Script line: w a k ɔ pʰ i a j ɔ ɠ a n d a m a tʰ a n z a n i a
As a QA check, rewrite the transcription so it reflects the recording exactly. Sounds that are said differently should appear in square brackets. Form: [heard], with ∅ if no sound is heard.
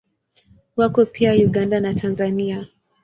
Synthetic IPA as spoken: w a k ɔ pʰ i a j [u] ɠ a n d a [n] a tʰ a n z a n i a